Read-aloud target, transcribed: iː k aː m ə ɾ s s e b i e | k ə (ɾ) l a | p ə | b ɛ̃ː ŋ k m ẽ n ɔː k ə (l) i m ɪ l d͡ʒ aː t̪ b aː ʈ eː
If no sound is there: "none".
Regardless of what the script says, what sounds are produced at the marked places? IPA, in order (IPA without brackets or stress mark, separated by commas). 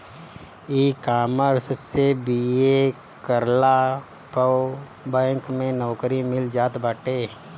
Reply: ɾ, ɾ